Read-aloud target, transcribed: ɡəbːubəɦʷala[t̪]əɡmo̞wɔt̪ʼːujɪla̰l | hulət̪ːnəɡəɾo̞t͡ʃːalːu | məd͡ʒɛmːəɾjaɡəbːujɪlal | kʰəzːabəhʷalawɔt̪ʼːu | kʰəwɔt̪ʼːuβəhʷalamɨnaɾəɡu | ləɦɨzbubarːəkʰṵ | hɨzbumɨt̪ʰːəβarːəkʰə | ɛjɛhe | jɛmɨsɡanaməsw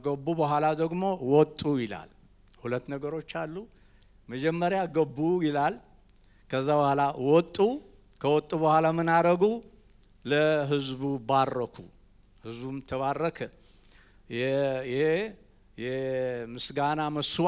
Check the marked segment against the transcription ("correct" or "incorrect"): incorrect